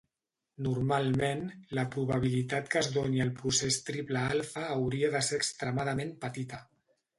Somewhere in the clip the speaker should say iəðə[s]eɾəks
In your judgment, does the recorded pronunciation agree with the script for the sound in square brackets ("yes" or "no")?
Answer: yes